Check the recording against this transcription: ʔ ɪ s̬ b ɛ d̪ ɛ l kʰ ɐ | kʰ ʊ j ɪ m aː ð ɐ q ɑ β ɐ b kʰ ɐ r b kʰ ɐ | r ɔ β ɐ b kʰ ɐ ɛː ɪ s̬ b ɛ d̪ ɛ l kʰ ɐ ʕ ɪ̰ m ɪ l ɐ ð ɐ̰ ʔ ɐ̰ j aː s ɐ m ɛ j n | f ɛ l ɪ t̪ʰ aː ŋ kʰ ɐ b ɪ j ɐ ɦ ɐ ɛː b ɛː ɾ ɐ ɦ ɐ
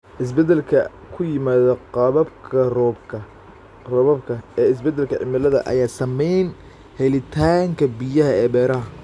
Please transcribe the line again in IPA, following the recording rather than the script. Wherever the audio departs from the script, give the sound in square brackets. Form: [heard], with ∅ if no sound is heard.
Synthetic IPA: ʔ ɪ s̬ b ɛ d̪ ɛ l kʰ ɐ | kʰ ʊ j ɪ m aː ð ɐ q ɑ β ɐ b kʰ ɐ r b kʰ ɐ | r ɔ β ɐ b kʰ ɐ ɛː ɪ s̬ b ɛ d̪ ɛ l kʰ ɐ ʕ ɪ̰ m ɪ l ɐ ð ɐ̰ ʔ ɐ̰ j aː s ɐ m ɛ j n | [h] ɛ l ɪ t̪ʰ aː ŋ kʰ ɐ b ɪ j ɐ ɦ ɐ ɛː b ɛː ɾ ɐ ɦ ɐ